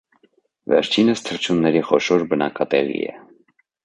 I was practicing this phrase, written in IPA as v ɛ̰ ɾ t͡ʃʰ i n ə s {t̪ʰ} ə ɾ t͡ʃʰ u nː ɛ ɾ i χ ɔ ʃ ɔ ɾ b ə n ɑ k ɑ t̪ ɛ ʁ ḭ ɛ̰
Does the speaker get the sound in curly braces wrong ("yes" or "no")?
no